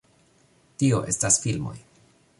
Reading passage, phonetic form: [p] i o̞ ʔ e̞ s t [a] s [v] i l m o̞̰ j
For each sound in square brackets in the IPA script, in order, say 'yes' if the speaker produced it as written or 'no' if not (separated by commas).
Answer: no, yes, no